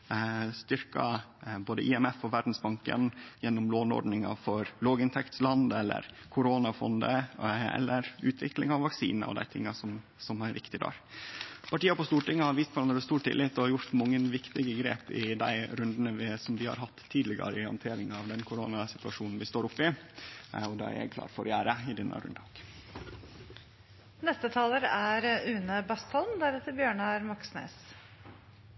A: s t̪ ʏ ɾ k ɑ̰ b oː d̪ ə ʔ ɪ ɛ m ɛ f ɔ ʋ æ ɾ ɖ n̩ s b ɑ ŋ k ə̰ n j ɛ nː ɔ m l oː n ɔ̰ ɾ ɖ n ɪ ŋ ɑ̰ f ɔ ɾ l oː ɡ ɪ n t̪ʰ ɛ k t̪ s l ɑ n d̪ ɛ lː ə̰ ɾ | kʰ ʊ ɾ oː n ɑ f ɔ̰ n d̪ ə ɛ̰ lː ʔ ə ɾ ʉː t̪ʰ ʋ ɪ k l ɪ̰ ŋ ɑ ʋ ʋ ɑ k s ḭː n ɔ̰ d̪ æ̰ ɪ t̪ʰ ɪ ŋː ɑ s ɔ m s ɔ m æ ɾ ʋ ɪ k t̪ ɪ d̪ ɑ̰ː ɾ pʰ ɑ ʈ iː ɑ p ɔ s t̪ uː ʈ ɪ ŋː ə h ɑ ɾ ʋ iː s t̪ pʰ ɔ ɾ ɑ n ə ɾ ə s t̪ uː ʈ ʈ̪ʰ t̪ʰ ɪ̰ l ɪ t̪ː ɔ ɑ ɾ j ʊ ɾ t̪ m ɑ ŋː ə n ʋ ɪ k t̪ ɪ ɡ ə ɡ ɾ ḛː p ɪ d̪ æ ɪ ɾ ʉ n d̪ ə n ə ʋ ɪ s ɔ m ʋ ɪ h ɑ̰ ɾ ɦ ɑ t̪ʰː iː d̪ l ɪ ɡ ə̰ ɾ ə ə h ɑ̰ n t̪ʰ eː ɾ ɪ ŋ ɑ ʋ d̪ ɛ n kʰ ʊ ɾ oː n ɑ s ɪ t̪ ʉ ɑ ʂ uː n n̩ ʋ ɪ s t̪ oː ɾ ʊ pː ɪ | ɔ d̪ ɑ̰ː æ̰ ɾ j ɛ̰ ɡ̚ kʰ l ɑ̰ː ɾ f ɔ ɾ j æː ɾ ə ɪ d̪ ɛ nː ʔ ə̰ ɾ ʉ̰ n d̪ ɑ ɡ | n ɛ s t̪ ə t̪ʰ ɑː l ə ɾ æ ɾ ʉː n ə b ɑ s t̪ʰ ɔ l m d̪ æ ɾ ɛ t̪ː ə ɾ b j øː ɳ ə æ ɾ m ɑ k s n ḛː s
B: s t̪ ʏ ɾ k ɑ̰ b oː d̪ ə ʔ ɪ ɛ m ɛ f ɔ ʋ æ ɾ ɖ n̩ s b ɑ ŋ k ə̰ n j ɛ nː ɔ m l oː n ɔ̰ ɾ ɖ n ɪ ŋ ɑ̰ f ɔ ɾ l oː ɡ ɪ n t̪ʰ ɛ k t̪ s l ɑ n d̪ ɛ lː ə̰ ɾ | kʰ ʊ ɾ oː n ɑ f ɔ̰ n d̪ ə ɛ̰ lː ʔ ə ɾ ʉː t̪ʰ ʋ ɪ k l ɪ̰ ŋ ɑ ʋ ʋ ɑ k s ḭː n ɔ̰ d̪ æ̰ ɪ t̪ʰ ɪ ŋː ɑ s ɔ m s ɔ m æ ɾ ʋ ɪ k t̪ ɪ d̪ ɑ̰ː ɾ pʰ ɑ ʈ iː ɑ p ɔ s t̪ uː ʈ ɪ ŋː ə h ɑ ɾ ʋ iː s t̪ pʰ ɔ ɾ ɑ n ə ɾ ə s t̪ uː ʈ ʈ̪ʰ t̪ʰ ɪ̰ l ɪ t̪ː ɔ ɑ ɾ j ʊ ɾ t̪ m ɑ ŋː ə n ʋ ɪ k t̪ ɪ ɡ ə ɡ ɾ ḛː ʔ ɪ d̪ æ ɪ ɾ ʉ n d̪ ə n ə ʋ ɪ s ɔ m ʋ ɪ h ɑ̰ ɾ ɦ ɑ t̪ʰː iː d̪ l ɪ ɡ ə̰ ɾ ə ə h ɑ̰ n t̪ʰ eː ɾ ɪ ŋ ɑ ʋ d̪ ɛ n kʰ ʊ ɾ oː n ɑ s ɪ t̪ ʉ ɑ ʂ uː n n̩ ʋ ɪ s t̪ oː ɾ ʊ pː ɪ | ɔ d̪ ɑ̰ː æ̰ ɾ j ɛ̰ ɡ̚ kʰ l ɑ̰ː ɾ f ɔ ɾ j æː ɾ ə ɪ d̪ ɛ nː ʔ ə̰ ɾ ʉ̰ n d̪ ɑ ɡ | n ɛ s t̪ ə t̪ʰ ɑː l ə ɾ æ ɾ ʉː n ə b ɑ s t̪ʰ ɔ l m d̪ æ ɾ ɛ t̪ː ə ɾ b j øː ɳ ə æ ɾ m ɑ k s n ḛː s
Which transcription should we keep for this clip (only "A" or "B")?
A